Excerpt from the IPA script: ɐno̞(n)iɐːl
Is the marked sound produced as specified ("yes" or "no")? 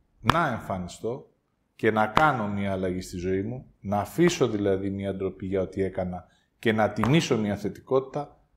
no